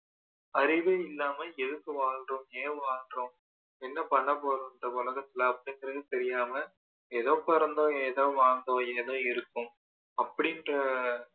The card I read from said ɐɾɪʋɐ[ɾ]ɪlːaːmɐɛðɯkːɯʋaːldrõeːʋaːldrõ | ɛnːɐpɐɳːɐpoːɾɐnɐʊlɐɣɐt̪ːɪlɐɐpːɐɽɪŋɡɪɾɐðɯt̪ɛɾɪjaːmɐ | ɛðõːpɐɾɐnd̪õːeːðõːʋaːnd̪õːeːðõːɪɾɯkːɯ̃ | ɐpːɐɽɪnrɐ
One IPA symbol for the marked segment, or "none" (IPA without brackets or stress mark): none